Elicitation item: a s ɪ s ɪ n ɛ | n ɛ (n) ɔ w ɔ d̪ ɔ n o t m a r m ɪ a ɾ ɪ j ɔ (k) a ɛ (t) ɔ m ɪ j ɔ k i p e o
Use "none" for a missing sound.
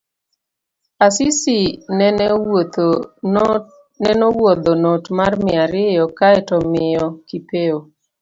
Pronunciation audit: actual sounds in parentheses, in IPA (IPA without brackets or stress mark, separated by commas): n, k, t